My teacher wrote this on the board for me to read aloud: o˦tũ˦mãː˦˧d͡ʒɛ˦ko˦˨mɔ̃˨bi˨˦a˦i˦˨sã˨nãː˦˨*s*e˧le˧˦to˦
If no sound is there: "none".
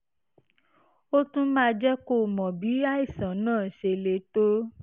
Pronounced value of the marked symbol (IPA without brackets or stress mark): ʃ